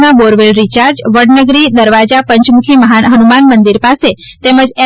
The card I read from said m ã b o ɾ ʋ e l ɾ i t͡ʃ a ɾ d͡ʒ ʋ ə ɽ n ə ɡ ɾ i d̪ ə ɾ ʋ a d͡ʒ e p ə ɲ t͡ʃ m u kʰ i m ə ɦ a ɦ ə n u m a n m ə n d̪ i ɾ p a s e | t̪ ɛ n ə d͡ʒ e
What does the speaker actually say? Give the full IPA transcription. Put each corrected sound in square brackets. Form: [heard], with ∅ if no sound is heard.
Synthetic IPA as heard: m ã b o ɾ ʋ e l ɾ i t͡ʃ a ɾ d͡ʒ ʋ ə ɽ n ə ɡ ɾ i d̪ ə ɾ ʋ a d͡ʒ [a] p ə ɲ t͡ʃ m u kʰ i m ə ɦ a ɦ ə n u m a n m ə n d̪ i ɾ p a s e | t̪ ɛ [m] ə d͡ʒ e

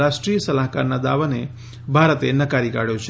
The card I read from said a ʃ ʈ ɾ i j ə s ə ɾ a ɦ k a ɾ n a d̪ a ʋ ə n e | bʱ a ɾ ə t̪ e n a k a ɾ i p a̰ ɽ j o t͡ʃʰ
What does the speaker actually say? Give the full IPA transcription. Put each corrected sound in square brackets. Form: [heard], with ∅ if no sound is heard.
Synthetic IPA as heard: a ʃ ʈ ɾ i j ə s ə [l] a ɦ k a ɾ n a d̪ a ʋ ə n e | bʱ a ɾ ə t̪ e n [ə] k a ɾ i [k] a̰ ɽ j o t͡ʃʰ

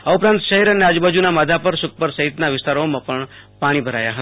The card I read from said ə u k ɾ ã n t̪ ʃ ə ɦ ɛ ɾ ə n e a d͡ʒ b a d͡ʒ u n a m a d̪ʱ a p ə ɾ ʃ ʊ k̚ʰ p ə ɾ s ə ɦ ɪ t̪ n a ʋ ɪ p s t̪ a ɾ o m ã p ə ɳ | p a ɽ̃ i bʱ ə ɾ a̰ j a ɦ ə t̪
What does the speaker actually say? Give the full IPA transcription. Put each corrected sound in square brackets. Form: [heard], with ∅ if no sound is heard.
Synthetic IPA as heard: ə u [p] ɾ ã n t̪ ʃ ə ɦ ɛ ɾ ə n e a d͡ʒ b a d͡ʒ u n a m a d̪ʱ a p ə ɾ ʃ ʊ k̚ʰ p ə ɾ s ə ɦ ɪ t̪ n a ʋ ɪ [∅] s t̪ a ɾ o m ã p ə ɳ | p a ɽ̃ i bʱ ə ɾ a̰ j a ɦ ə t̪

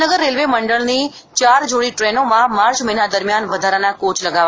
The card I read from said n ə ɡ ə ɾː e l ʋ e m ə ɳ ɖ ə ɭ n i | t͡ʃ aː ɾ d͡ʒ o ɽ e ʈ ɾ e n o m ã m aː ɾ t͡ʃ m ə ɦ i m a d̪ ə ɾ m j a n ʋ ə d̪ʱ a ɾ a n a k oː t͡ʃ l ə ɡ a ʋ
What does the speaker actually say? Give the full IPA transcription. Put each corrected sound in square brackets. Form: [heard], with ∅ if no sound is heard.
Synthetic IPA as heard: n ə ɡ ə ɾː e l ʋ e m ə ɳ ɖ ə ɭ n i | t͡ʃ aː ɾ d͡ʒ o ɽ [i] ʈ ɾ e n o m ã m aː ɾ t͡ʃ m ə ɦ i [n] a d̪ ə ɾ m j a n ʋ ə d̪ʱ a ɾ a n a k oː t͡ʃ l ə ɡ a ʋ

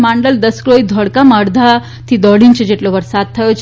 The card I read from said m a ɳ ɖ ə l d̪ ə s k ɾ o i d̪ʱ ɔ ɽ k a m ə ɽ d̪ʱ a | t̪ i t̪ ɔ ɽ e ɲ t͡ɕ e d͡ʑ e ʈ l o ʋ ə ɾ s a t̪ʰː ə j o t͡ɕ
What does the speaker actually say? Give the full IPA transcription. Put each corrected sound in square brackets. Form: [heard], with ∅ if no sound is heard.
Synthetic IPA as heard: m a ɳ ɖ ə l d̪ ə s k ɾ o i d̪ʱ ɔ ɽ k a m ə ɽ d̪ʱ a | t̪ i [d̪] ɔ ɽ [i] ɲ t͡ɕ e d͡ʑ e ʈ l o ʋ ə ɾ s a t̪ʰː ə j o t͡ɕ

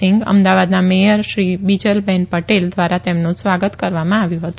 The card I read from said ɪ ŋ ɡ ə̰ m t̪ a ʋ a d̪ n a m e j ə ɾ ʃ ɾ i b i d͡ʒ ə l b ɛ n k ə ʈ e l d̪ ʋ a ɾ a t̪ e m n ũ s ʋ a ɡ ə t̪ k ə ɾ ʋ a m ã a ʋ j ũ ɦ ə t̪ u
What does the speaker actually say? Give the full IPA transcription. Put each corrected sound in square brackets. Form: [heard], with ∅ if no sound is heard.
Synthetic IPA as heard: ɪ ŋ ɡ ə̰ m [d̪] a ʋ a d̪ n a m e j ə ɾ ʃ ɾ i b i d͡ʒ ə l b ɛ n [p] ə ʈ e l d̪ ʋ a ɾ a t̪ e m n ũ s ʋ a ɡ ə t̪ k ə ɾ ʋ a m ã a ʋ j ũ ɦ ə t̪ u

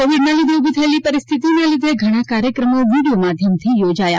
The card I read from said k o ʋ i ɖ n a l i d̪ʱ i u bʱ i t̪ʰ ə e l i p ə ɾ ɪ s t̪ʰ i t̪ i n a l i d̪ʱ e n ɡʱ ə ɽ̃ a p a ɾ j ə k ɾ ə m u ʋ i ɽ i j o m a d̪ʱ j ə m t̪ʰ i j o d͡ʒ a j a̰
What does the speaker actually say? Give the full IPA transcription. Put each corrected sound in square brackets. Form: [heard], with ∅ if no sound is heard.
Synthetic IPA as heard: k o ʋ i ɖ n a l i d̪ʱ [e] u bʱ i t̪ʰ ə e l i p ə ɾ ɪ s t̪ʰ i t̪ i n a l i d̪ʱ e [∅] ɡʱ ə ɽ̃ a [k] a ɾ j ə k ɾ ə m [o] ʋ i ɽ i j o m a d̪ʱ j ə m t̪ʰ i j o d͡ʒ a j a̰

